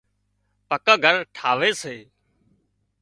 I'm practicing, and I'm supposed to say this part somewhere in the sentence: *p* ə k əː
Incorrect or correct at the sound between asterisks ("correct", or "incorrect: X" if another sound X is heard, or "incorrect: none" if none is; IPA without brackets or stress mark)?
correct